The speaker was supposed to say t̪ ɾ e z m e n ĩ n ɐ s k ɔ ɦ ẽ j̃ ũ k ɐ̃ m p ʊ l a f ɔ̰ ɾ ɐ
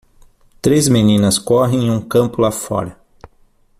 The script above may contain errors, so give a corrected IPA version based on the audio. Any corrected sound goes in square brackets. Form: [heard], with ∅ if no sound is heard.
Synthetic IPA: t̪ ɾ e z m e n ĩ n ɐ s k ɔ ɦ ẽ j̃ ũ k ɐ̃ m p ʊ l a f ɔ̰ ɾ ɐ